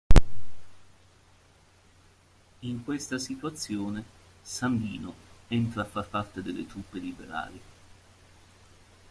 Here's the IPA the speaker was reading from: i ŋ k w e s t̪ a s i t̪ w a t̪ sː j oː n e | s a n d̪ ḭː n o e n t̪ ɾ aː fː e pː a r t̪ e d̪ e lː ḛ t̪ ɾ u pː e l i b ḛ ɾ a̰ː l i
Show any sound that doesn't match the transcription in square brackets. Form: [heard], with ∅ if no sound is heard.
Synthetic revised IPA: i ŋ k w e s t̪ a s i t̪ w a t̪ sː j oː n e | s a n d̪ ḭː n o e n t̪ ɾ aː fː [a] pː a r t̪ e d̪ e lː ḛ t̪ ɾ u pː e l i b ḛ ɾ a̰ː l i